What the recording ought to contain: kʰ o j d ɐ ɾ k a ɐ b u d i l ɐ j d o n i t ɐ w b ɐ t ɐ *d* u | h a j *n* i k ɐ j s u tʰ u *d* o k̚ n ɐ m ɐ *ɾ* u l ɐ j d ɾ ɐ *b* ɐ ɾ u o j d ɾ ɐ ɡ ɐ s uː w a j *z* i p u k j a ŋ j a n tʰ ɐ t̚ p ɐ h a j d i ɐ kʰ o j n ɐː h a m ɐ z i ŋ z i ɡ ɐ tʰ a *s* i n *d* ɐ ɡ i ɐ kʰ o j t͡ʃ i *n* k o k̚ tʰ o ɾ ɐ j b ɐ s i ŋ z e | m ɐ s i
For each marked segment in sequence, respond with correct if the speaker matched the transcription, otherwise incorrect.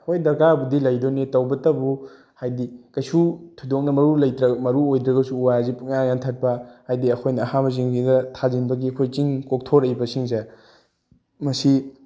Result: incorrect, incorrect, correct, correct, incorrect, correct, incorrect, incorrect, incorrect

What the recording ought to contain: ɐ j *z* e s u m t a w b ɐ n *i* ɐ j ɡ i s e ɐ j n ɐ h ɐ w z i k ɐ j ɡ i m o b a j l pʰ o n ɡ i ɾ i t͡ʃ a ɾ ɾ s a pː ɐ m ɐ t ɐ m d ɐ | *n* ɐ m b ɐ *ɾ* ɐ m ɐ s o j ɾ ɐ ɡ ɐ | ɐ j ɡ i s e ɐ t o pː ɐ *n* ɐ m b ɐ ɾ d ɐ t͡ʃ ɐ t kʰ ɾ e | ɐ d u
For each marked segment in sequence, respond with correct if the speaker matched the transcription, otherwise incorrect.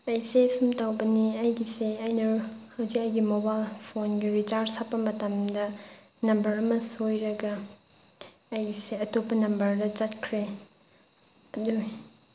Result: incorrect, correct, correct, correct, correct

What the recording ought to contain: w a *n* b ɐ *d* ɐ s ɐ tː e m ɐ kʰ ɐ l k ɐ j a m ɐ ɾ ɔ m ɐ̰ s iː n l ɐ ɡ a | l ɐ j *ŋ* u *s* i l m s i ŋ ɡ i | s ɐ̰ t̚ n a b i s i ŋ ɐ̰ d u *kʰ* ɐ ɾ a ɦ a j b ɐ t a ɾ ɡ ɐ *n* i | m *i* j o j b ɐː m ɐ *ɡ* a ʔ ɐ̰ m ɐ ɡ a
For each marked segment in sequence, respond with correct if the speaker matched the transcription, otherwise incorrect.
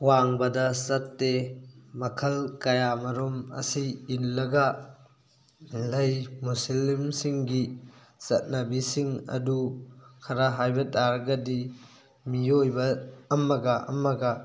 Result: incorrect, correct, incorrect, correct, correct, incorrect, correct, correct

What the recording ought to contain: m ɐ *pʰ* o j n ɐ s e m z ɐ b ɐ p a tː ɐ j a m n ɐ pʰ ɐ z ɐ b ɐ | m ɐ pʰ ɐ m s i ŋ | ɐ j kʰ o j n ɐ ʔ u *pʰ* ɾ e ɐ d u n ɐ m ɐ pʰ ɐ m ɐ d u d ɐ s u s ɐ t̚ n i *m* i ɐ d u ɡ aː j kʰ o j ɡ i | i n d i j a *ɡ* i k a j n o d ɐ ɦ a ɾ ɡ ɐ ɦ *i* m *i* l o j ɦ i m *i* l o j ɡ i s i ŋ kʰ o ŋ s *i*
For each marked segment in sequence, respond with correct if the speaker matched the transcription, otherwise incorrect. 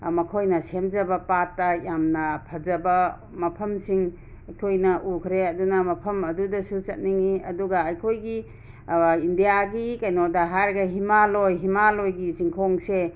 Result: incorrect, incorrect, incorrect, correct, correct, incorrect, incorrect, incorrect

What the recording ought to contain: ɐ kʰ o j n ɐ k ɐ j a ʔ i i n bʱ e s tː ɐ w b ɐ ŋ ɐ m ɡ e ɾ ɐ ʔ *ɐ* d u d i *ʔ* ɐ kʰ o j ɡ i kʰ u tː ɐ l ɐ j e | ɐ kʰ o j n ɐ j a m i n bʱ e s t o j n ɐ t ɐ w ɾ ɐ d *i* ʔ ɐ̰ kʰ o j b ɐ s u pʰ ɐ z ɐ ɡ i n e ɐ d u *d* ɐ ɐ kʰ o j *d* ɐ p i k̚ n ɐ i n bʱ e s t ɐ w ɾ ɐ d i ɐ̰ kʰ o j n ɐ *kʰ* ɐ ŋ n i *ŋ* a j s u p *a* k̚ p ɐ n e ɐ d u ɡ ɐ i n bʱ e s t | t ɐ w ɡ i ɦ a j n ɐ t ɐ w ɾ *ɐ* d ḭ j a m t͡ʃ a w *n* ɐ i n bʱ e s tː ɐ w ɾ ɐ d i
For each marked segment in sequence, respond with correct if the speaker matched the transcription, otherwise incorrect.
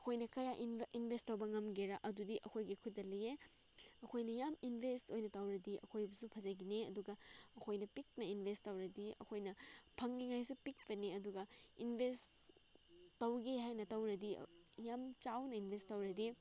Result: correct, correct, correct, incorrect, incorrect, incorrect, correct, incorrect, correct, correct

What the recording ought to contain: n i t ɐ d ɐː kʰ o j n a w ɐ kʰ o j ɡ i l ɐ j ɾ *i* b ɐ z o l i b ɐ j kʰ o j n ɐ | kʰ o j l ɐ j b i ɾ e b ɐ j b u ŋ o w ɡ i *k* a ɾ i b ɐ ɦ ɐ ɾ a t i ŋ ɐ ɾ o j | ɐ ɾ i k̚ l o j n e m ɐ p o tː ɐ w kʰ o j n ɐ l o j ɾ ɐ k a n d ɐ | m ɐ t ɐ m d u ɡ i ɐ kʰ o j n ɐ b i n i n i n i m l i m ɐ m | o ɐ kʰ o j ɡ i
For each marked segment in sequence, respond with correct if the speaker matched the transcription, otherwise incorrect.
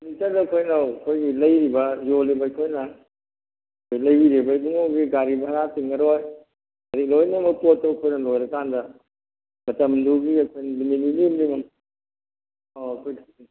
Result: correct, incorrect

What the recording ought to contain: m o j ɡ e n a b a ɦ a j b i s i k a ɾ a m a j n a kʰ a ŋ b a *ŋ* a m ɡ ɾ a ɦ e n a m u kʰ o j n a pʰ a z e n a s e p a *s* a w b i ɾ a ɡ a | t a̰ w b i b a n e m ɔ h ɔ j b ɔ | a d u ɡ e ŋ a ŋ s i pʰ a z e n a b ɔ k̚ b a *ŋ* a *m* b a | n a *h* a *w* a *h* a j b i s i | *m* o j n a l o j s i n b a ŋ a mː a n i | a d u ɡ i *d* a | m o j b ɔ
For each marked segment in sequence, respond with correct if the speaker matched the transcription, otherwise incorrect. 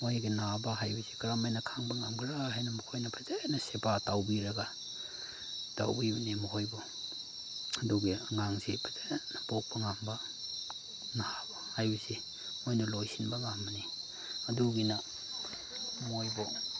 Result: correct, incorrect, correct, correct, correct, incorrect, correct, correct, incorrect

